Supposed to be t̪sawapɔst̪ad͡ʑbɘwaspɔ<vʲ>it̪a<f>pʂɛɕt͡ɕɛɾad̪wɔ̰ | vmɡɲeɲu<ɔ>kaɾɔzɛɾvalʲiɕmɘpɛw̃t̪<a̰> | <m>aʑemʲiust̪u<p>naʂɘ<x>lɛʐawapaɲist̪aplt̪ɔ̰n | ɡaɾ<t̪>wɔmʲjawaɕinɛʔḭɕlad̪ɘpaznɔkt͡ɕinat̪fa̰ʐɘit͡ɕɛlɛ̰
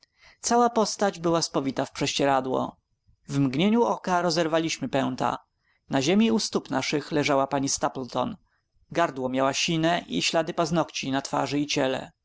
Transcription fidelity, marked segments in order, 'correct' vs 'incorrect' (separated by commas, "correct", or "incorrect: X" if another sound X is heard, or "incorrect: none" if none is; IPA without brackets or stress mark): correct, correct, correct, correct, incorrect: n, correct, correct, incorrect: d̪